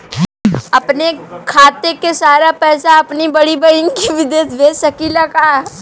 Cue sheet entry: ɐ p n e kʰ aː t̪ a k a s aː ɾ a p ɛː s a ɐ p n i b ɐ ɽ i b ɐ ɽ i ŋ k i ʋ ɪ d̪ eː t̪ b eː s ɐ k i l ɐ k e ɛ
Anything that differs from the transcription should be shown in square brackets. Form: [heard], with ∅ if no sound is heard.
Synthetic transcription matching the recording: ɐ p n e kʰ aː t̪ [e] k [e] s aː ɾ a p ɛː s a ɐ p n i b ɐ ɽ i b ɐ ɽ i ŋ k i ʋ ɪ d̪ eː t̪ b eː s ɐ k i l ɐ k [a] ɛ

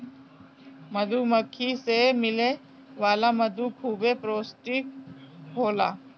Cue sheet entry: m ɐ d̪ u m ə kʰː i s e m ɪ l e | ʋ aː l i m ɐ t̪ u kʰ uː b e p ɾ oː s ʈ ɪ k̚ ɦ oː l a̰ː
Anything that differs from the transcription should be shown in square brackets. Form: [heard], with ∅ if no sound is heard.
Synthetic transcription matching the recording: m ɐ d̪ u m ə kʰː i s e m ɪ l e | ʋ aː l [a] m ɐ [d̪] u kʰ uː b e p ɾ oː s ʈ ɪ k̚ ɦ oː l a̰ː

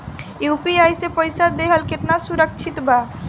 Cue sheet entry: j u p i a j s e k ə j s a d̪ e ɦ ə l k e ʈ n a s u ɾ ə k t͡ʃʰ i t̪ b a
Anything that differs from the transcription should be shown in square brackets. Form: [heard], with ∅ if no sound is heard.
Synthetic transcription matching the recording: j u p i a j s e [p] ə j s a d̪ e ɦ ə l k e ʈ n a s u ɾ ə k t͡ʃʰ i t̪ b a

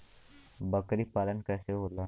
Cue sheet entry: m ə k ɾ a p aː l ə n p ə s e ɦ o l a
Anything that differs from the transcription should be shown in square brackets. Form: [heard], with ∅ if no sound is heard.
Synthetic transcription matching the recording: [b] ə k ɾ [i] p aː l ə n [k] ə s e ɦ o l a

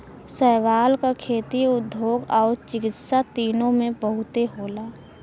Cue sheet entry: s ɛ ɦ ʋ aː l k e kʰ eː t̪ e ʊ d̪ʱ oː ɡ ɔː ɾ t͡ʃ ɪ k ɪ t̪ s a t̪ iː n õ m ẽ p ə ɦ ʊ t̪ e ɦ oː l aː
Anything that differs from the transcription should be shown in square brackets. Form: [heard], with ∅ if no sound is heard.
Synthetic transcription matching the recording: s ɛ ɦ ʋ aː l k [a] kʰ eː t̪ [i] ʊ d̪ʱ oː ɡ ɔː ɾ t͡ʃ ɪ k ɪ t̪ s a t̪ iː n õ m ẽ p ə ɦ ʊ t̪ e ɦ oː l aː

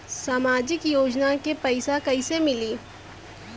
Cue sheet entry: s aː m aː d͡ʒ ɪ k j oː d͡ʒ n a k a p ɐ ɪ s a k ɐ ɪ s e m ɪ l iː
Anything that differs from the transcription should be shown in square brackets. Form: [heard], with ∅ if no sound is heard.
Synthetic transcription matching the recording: s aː m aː d͡ʒ ɪ k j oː d͡ʒ n a k [e] p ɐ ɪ s a k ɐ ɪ s e m ɪ l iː

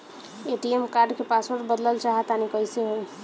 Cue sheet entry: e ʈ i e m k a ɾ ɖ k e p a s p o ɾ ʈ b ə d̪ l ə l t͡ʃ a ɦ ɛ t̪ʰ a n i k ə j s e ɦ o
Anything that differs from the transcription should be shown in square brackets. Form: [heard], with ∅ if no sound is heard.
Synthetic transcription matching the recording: e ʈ i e m k a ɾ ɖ k e p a s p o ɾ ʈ b ə d̪ l ə l t͡ʃ a ɦ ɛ [t̪] a n i k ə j s e ɦ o

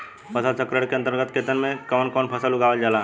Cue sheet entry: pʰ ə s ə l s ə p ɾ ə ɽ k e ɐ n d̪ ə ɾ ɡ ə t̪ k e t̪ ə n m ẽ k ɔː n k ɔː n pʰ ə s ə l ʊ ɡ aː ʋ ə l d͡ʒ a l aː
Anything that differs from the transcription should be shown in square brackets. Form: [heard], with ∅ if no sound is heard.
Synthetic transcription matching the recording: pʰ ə s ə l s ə [k] ɾ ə ɽ k e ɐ n [t̪] ə ɾ ɡ ə t̪ k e t̪ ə n m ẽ k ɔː n k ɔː n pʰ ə s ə l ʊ ɡ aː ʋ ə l d͡ʒ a l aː

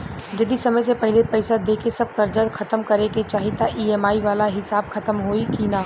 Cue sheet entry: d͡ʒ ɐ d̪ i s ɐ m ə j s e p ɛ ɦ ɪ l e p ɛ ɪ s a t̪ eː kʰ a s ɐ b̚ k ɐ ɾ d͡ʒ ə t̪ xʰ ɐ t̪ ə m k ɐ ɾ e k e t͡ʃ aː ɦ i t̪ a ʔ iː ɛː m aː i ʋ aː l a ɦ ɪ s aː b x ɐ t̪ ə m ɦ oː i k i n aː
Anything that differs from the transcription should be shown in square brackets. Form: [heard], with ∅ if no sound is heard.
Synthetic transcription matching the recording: d͡ʒ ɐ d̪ i s ɐ m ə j s e p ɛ ɦ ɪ l e p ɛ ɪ s a [d̪] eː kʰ [e] s ɐ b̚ k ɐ ɾ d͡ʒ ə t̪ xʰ ɐ t̪ ə m k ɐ ɾ e k e t͡ʃ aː ɦ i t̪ a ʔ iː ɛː m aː i ʋ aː l a ɦ ɪ s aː b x ɐ t̪ ə m ɦ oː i k i n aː

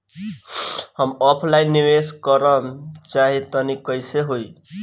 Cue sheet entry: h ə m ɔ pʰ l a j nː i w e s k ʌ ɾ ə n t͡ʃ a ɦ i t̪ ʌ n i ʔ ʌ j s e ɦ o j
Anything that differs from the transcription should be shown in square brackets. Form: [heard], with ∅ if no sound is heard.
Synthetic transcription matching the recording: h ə m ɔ pʰ l a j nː i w e s k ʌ ɾ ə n t͡ʃ a ɦ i t̪ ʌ n i [k] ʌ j s e ɦ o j

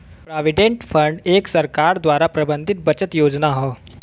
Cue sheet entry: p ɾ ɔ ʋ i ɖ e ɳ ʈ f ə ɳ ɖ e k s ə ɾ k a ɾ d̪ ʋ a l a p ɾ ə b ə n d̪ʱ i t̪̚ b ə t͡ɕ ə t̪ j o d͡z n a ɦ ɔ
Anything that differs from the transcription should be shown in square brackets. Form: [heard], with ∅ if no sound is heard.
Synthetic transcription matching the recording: p ɾ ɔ ʋ i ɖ e ɳ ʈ f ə ɳ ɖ e k s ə ɾ k a ɾ d̪ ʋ a [ɾ] a p ɾ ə b ə n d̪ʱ i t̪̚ b ə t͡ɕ ə t̪ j o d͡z n a ɦ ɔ

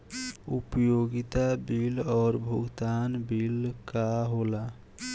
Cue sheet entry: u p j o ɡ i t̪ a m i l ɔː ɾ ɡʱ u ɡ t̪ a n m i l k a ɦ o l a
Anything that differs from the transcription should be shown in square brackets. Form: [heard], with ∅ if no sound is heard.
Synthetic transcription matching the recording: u p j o ɡ i t̪ a [b] i l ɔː ɾ [bʱ] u ɡ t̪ a n [b] i l k a ɦ o l a

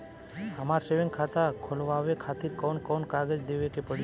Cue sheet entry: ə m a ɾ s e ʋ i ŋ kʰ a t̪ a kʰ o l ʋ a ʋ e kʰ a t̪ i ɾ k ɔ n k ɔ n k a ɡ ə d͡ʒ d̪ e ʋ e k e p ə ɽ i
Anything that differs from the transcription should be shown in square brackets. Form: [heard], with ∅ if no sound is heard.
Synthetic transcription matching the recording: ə m a ɾ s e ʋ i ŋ kʰ a t̪ a kʰ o l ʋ a ʋ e kʰ a t̪ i ɾ k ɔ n k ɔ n k a ɡ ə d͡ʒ d̪ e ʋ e k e p ə ɽ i

